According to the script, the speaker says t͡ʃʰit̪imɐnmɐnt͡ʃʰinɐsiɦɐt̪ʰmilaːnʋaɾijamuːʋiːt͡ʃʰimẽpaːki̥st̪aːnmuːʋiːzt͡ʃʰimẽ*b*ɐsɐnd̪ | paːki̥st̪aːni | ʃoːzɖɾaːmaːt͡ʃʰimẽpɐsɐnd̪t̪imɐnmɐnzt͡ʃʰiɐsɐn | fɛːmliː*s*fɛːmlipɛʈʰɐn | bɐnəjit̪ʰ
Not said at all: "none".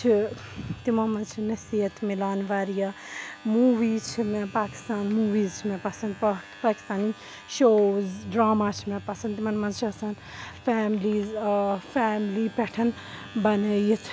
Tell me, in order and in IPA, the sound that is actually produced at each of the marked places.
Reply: p, z

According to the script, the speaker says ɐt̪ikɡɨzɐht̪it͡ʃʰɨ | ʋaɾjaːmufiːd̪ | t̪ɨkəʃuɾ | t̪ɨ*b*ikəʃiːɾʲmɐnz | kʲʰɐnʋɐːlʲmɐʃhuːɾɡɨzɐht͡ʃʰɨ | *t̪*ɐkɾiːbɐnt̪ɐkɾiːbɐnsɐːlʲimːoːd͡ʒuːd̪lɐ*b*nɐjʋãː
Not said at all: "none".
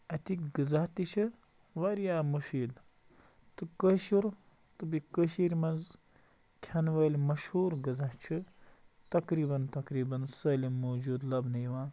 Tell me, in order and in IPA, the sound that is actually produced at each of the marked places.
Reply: b, t̪, b

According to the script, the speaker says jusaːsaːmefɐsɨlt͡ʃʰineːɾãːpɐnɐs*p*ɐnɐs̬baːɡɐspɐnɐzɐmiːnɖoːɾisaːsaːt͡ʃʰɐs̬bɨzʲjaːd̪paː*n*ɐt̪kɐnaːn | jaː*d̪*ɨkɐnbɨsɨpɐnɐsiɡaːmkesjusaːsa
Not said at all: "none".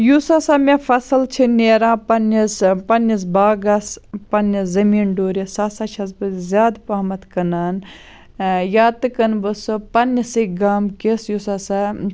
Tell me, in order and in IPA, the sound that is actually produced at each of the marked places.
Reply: p, m, t̪

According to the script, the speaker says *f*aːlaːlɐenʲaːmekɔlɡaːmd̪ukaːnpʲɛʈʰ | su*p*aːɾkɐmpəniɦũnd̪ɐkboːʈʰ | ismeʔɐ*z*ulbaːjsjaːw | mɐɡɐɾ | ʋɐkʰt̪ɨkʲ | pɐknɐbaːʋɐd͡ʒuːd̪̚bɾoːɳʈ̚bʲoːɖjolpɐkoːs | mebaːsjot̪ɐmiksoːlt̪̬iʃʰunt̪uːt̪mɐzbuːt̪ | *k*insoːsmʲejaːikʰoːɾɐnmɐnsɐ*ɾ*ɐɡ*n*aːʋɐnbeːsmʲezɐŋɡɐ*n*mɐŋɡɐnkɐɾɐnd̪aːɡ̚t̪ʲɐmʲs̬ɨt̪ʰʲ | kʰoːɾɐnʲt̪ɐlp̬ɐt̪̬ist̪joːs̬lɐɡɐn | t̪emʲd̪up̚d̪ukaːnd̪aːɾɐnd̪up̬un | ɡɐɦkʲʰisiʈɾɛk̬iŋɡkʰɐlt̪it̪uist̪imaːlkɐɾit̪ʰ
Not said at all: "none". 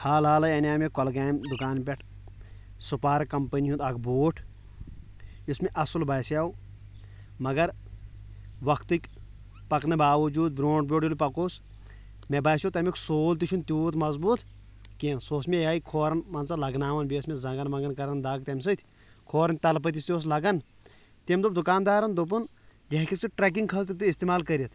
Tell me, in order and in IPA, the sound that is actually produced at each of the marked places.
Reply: h, p, s, k, l, n, n

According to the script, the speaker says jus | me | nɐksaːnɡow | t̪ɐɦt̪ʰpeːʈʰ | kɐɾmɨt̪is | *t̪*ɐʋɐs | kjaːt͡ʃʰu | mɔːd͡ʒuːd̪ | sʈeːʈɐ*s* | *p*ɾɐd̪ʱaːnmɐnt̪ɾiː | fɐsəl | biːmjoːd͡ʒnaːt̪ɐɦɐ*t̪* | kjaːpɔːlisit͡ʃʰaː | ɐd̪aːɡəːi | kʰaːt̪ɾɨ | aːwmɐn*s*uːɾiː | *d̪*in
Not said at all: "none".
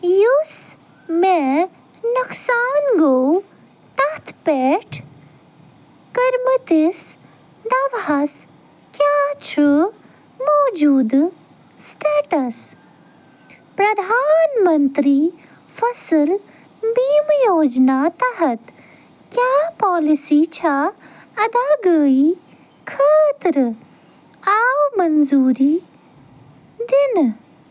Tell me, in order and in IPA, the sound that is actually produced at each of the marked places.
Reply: d̪, s, p, t̪, z, d̪

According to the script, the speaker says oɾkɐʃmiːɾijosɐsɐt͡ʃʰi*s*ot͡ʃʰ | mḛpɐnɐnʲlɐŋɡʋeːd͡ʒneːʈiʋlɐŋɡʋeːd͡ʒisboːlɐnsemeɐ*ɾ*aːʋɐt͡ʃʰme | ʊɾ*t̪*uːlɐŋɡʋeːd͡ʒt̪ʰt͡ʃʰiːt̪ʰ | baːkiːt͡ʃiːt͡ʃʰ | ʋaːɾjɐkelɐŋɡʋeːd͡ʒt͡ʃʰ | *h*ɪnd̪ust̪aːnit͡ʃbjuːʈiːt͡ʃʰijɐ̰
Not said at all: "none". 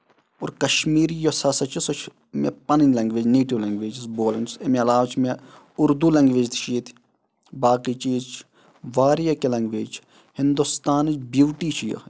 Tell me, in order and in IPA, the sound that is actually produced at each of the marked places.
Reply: s, l, d̪, h

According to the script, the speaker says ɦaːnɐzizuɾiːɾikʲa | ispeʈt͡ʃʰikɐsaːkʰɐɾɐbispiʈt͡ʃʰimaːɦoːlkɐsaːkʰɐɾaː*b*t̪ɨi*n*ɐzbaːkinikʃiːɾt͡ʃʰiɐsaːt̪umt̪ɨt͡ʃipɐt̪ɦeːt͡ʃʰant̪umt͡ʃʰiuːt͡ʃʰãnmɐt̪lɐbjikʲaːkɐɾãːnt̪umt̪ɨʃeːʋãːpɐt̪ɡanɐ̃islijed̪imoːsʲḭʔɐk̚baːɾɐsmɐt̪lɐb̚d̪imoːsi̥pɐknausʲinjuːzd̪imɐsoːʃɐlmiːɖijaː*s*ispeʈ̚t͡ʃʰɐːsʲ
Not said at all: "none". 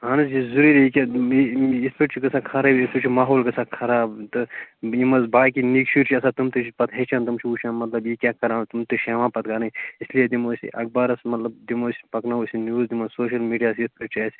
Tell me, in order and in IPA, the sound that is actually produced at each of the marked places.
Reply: b, m, s

